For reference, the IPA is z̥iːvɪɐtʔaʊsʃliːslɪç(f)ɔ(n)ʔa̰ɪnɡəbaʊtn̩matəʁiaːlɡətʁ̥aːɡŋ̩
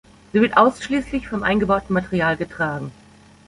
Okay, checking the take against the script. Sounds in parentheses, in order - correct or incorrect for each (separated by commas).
correct, incorrect